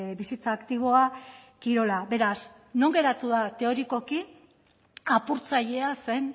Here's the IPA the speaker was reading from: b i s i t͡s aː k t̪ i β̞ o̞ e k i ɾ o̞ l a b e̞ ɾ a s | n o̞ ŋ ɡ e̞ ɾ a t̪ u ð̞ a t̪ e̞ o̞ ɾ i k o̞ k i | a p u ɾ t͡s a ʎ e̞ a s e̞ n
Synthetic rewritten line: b i s i t͡s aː k t̪ i β̞ o̞ a k i ɾ o̞ l a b e̞ ɾ a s | n o̞ ŋ ɡ e̞ ɾ a t̪ u ð̞ a t̪ e̞ o̞ ɾ i k o̞ k i | a p u ɾ t͡s a ʎ e̞ a s e̞ n